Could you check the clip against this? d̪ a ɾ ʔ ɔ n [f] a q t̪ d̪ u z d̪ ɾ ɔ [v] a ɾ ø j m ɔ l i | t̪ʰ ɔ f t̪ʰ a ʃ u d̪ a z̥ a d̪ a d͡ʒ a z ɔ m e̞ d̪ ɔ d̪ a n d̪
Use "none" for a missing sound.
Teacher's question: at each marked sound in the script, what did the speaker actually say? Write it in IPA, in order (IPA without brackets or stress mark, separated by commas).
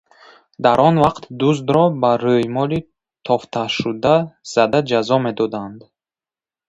v, b